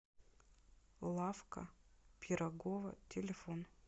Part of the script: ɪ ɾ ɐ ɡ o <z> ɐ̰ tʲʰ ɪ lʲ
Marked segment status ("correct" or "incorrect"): incorrect